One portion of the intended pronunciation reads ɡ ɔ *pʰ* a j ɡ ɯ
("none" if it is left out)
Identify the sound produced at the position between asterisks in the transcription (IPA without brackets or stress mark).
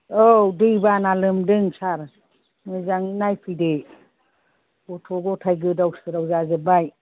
tʰ